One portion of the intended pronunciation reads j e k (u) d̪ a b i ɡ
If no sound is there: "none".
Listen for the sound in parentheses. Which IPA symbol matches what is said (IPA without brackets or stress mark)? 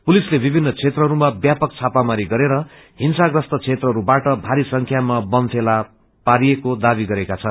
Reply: o